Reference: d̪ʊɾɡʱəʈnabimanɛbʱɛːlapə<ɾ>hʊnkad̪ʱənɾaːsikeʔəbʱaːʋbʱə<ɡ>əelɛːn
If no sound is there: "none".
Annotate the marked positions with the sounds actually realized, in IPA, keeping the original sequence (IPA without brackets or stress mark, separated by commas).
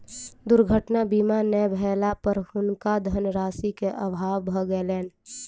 ɾ, ɡ